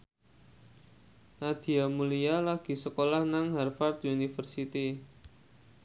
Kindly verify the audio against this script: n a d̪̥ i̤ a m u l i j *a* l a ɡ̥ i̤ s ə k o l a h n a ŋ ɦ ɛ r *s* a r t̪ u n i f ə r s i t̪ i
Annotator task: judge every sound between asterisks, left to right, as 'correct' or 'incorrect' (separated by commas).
correct, incorrect